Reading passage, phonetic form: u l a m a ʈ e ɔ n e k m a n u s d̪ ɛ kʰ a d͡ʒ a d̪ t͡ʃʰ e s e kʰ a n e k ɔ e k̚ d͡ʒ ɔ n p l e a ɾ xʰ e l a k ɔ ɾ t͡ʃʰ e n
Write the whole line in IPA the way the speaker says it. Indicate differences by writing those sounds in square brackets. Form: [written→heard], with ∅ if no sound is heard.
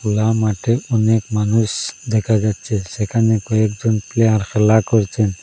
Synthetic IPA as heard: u l a m a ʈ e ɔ n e k m a n u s d̪ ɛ kʰ a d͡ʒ a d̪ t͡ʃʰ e s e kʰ a n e k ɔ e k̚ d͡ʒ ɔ n p l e a ɾ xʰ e l a k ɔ ɾ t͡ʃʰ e n